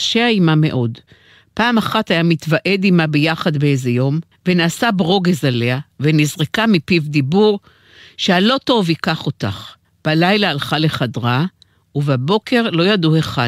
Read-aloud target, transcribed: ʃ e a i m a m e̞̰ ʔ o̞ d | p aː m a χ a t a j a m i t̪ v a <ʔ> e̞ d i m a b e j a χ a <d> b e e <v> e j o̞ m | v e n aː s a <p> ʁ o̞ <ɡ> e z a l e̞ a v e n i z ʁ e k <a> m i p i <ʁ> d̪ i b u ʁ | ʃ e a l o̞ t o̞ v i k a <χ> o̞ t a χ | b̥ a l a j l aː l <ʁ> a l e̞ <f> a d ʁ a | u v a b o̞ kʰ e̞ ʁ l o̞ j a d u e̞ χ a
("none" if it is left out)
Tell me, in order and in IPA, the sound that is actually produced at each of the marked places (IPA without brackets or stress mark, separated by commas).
ʔ, d, z, b, ɡ, a, v, χ, χ, χ